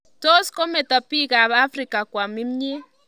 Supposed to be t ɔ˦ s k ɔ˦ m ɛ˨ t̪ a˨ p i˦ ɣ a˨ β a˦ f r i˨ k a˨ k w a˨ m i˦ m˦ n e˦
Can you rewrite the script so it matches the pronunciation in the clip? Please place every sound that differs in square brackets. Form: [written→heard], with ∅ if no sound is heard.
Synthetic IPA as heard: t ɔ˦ s k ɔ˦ m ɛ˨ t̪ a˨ p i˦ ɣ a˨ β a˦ f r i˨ k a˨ k w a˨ m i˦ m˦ [n→ɲ] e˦